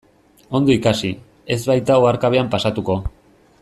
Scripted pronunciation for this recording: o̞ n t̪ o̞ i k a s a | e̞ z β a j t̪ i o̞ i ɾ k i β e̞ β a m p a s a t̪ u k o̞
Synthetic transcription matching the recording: o̞ n d̪ o̞ i k a s i | e̞ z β a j t̪ a o̞ a ɾ k a β e̞ a m p a s a t̪ u k o̞